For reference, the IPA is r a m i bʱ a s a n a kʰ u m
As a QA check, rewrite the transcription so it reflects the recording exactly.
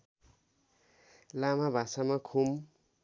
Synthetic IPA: l a m a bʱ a s a m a kʰ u m